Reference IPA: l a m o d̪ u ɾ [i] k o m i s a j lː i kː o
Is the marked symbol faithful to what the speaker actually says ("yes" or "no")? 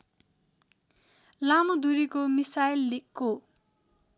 yes